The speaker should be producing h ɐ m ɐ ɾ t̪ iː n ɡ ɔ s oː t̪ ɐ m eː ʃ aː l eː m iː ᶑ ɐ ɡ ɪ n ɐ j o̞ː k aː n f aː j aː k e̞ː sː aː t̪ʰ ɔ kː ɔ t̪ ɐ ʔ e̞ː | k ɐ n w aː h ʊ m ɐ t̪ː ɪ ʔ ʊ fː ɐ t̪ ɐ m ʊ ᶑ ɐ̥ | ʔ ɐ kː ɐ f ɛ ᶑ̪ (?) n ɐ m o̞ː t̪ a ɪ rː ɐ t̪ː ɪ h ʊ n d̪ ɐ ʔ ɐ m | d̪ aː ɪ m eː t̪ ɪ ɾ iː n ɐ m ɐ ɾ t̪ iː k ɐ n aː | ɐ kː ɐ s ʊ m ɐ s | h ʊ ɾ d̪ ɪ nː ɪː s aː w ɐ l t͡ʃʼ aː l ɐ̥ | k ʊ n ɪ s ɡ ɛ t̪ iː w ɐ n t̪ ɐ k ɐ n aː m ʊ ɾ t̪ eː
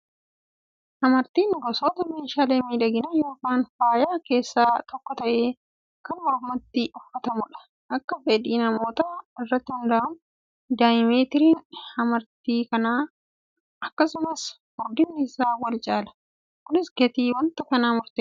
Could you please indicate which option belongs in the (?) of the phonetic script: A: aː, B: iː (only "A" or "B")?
B